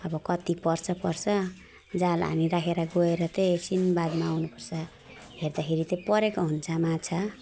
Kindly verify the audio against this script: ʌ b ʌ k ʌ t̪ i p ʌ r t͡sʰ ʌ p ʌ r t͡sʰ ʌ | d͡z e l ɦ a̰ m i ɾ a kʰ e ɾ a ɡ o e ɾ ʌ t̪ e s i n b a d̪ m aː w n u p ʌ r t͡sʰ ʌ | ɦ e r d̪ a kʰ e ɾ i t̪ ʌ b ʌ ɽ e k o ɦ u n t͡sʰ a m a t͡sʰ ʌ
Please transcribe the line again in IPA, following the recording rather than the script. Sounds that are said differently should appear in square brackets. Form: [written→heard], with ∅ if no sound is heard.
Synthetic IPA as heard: ʌ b ʌ k ʌ t̪ i p ʌ r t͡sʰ ʌ p ʌ r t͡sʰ ʌ | d͡z [e→a] l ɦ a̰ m i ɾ a kʰ e ɾ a ɡ o e ɾ ʌ t̪ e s i n b a d̪ m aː w n u p ʌ r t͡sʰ ʌ | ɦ e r d̪ a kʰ e ɾ i t̪ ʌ [b→p] ʌ [ɽ→ɾ] e k o ɦ u n t͡sʰ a m a t͡sʰ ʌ